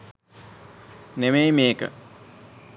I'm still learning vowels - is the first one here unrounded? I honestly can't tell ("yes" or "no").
yes